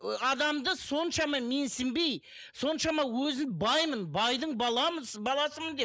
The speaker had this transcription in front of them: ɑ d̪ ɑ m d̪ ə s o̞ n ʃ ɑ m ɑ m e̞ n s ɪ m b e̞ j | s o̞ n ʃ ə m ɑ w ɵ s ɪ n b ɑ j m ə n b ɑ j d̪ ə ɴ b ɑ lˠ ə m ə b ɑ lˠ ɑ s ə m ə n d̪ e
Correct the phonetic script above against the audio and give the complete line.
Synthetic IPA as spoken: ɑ d̪ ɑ m d̪ ə s o̞ n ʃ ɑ m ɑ m e̞ n s ɪ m b e̞ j | s o̞ n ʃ ɑ m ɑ w ɵ z ɪ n b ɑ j m ə n b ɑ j d̪ ə ɴ b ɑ lˠ ɑ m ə b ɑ lˠ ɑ s ə m ə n d̪ e